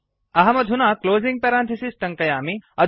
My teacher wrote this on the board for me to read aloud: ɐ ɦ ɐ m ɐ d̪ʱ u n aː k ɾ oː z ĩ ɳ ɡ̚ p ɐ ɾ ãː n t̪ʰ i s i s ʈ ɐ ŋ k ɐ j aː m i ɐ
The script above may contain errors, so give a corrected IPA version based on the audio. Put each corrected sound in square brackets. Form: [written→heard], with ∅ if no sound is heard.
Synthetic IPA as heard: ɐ ɦ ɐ m ɐ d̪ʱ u n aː k [ɾ→l] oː z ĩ [ɳ→ŋ] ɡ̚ p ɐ ɾ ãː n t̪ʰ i s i s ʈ ɐ ŋ k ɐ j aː m i ɐ